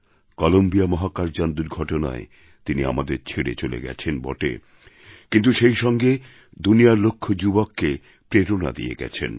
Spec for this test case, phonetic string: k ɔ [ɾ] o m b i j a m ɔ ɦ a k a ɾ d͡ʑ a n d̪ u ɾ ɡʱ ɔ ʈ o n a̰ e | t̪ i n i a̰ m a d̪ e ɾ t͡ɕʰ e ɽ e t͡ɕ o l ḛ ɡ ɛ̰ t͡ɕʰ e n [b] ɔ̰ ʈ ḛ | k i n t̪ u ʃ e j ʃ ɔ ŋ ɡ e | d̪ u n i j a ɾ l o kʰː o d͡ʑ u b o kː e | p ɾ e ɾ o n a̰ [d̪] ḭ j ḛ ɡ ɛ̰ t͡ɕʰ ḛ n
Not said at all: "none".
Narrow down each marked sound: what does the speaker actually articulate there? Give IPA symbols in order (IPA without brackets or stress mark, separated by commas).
l, b, d̪